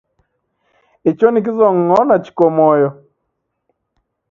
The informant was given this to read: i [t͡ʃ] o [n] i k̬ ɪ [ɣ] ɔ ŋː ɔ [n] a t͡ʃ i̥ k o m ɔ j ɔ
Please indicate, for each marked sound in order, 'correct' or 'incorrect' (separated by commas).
correct, correct, incorrect, correct